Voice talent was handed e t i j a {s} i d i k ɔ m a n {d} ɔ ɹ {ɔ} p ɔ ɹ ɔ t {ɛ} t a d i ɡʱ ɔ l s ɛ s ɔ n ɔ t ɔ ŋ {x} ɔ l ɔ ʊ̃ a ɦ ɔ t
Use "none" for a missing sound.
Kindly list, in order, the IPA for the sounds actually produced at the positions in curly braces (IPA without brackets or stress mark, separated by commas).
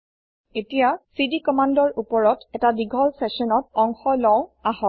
s, d, u, ɛ, x